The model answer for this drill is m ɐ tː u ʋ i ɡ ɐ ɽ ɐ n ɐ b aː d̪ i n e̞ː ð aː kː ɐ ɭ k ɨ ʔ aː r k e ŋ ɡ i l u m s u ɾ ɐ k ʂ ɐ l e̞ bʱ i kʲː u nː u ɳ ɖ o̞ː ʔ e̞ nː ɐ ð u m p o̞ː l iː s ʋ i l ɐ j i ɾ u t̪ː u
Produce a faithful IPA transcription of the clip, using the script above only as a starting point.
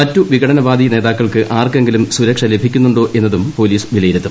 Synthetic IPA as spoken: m ɐ tː u ʋ i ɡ ɐ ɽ ɐ n ɐ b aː d̪ i n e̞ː ð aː kː ɐ ɭ k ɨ ʔ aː r k e ŋ ɡ i l u m s u ɾ ɐ k ʂ ɐ l e̞ bʱ i kʲː u nː u ɳ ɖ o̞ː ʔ e̞ nː ɐ ð u m p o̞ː l iː s ʋ i l ɐ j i ɾ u t̪ː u